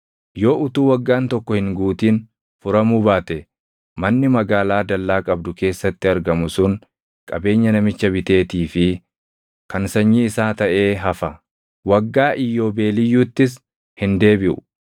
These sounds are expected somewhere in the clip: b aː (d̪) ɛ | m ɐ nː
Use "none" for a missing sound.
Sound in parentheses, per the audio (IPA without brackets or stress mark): t̪